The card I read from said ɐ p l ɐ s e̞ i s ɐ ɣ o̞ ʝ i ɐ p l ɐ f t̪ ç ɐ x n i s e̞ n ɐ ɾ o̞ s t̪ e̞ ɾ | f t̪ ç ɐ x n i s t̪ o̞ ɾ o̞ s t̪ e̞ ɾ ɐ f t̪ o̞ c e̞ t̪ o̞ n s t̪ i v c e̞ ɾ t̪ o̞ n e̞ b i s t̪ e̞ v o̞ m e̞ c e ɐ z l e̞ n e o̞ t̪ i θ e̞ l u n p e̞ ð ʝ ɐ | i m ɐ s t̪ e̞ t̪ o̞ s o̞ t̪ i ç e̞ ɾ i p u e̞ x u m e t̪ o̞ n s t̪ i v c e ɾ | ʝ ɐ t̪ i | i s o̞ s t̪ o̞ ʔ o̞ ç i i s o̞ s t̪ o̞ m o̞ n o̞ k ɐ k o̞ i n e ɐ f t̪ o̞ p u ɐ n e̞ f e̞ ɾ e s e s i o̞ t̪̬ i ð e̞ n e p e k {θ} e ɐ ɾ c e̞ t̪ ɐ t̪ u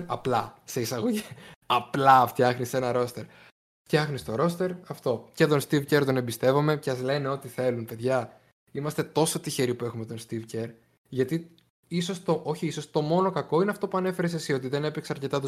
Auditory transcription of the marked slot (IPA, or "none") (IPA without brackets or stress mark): s